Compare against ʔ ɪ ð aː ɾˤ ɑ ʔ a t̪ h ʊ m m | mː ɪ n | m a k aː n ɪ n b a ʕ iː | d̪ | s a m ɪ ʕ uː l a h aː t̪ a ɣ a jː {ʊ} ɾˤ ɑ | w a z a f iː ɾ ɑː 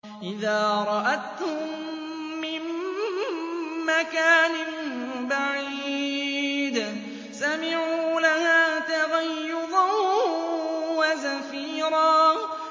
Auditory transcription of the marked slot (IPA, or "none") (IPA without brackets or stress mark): ʊ